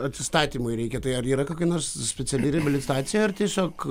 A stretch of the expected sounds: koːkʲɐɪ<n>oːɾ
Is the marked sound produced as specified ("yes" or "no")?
yes